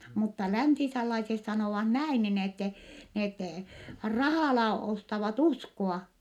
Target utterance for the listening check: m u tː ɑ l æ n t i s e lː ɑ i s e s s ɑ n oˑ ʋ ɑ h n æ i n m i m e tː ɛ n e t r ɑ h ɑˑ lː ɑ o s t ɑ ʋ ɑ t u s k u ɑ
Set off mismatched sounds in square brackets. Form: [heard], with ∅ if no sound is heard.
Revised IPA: m u tː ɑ l æ n t i s e lː ɑ i s e s s ɑ n oˑ ʋ ɑ h n æ i n [n] i [n] e tː ɛ n e t r ɑ h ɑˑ [l] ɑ o s t ɑ ʋ ɑ t u s k [o] ɑ